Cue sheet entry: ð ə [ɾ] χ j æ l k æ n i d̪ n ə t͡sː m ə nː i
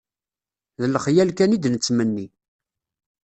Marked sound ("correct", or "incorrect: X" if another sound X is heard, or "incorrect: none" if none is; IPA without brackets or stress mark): incorrect: l